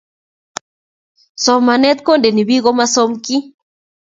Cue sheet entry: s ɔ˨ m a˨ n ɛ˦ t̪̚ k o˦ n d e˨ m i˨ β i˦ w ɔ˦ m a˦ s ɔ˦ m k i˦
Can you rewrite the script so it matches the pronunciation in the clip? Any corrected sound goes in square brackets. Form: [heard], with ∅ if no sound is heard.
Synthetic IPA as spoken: s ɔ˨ m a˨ n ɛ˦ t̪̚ k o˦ n d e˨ [n] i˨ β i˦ [ɣ] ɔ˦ m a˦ s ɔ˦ m k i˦

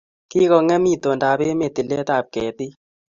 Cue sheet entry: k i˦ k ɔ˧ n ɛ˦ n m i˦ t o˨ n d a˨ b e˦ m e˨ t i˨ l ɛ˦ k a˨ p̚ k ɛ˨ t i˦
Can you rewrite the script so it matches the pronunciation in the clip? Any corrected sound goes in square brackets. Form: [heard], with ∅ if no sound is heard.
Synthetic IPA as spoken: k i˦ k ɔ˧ [ŋ] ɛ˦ [∅] m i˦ t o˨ n d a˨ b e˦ m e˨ t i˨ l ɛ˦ [t] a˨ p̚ k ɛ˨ t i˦

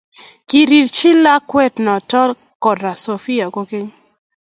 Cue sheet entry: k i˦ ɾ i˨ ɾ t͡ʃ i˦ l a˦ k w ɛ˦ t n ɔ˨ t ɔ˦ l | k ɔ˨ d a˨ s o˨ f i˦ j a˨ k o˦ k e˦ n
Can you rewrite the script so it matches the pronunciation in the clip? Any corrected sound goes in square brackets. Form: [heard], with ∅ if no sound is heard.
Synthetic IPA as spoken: k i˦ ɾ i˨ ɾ t͡ʃ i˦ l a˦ k w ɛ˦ t n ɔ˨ t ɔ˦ l | k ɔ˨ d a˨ s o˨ f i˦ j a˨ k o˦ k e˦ [ɲ]

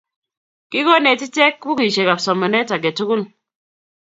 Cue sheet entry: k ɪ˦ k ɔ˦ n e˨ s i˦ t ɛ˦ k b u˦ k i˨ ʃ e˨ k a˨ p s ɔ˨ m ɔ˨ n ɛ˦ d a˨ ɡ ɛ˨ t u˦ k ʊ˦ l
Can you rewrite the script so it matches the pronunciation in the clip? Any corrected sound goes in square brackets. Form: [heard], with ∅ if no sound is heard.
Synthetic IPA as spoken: k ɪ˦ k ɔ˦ n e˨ [t] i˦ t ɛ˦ k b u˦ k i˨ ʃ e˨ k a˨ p s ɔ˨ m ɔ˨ n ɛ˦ [t] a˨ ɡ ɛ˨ t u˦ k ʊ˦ l

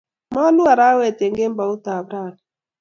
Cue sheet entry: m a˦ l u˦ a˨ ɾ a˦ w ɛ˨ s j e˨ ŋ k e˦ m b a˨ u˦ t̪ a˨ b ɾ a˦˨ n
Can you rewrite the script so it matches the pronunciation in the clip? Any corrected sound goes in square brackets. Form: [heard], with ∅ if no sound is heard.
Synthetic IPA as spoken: m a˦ l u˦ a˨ ɾ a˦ w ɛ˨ [t] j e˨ ŋ [ɡ] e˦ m b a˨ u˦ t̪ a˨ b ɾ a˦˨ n

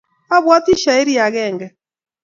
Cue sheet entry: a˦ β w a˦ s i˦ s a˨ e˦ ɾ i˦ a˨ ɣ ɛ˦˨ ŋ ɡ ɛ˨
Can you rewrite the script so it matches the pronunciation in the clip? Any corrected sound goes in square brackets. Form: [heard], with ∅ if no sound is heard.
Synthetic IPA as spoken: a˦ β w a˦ [t] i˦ [ʃ] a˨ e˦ ɾ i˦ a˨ ɣ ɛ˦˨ ŋ ɡ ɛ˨

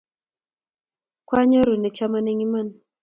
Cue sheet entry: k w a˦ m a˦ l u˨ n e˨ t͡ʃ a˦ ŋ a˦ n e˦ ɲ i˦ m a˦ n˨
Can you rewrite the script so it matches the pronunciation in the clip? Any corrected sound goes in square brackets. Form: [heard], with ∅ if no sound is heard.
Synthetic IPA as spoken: k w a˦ [ɲ] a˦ [ɾ] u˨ n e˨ t͡ʃ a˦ [m] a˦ n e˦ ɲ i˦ m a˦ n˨

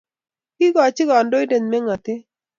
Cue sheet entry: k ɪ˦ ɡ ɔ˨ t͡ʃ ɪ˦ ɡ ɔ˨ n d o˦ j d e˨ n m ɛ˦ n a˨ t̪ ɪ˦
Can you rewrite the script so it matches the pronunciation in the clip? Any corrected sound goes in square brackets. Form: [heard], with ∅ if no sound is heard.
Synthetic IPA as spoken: k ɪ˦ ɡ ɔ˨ t͡ʃ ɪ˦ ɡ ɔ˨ n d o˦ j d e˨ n m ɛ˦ [ŋ] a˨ t̪ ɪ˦

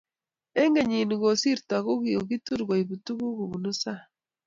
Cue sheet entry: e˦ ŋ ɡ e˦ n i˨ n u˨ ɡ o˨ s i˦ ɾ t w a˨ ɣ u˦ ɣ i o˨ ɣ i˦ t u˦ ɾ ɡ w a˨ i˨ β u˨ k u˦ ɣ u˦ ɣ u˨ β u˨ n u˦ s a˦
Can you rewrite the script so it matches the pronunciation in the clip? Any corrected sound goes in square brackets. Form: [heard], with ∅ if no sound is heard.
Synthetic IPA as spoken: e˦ ŋ ɡ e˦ [ɲ] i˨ n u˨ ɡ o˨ s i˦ ɾ t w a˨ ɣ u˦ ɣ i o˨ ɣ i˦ t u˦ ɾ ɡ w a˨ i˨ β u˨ [t] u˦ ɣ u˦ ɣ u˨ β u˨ n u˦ s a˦

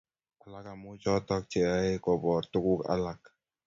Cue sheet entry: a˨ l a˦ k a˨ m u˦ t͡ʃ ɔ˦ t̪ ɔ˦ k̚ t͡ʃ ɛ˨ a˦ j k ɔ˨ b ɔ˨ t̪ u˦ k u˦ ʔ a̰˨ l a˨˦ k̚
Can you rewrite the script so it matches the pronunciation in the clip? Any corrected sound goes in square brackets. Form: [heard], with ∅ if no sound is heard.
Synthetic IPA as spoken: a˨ l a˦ k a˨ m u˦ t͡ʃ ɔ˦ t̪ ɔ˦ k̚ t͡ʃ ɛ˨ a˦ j k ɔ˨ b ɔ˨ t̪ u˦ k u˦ [k] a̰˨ l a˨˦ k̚

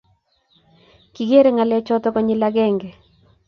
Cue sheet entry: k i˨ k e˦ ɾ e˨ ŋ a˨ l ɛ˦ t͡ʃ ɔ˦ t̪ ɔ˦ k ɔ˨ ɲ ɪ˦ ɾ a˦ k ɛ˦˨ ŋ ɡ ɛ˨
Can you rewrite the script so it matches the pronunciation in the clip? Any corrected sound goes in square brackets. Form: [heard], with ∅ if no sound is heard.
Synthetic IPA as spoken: k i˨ [ɡ] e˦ ɾ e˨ ŋ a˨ l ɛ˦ t͡ʃ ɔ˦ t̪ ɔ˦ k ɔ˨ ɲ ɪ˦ [l] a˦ [ɡ] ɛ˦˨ ŋ ɡ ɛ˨

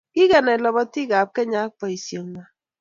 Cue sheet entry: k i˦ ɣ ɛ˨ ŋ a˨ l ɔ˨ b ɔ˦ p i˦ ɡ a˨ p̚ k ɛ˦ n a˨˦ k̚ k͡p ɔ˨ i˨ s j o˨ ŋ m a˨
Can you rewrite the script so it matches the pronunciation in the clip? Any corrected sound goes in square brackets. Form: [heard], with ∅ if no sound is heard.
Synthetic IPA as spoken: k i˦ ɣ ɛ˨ [n] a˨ l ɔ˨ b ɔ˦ [t] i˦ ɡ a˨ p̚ k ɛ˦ [ɲ] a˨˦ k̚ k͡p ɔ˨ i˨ s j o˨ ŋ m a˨

